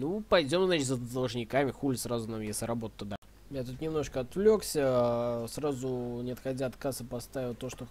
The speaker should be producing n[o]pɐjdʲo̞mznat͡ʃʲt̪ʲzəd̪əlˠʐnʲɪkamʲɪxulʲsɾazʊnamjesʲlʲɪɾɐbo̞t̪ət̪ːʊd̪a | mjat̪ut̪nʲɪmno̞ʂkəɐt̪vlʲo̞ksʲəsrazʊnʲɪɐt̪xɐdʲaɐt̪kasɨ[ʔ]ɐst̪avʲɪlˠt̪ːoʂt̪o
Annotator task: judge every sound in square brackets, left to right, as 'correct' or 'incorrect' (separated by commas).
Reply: incorrect, incorrect